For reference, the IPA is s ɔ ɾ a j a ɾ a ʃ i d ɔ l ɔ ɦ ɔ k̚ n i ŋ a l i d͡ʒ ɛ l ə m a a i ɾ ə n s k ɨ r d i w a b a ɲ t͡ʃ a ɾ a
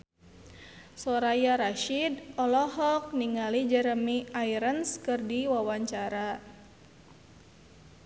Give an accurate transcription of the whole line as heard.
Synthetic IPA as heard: s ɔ ɾ a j a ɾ a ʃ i d ɔ l ɔ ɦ ɔ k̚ n i ŋ a l i d͡ʒ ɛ ɾ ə m i a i ɾ ə n s k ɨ r d i w a w a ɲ t͡ʃ a ɾ a